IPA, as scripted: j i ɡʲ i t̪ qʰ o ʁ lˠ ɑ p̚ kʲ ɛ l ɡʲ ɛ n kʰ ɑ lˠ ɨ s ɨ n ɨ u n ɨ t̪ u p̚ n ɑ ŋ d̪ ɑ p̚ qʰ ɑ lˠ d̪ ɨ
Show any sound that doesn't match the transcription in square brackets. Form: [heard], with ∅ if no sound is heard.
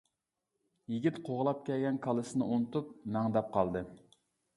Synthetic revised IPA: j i ɡʲ i t̪ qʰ o ʁ lˠ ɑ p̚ kʲ ɛ l ɡʲ ɛ n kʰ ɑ lˠ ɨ s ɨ n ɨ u n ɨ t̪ u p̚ n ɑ ŋ d̪ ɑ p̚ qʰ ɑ lˠ d̪ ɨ